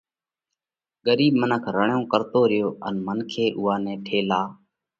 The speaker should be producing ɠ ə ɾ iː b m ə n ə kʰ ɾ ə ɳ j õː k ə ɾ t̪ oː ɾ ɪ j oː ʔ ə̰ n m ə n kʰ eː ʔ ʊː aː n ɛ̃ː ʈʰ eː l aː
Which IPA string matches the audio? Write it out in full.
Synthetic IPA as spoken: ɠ ə ɾ iː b m ə n ə kʰ ɾ ə ɳ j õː k ə ɾ t̪ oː ɾ ɪ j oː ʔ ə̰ n m ə n kʰ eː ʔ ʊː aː n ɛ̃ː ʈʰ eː l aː